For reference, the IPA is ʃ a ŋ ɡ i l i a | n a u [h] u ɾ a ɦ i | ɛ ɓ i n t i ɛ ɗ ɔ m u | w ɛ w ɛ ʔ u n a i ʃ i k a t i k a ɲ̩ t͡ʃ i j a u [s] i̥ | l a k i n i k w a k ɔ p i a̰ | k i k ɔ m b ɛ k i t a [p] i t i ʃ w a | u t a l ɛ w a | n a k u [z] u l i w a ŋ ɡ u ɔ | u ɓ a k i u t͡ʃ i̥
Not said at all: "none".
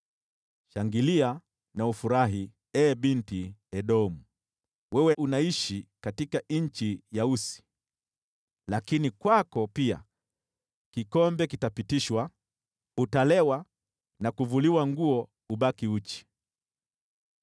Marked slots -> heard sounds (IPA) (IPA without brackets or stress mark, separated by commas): f, s, p, v